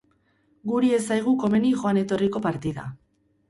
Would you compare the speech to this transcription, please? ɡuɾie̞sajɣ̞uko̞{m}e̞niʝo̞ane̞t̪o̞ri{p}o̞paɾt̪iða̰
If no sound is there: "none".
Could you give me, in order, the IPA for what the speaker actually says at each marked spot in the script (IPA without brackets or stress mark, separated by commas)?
m, k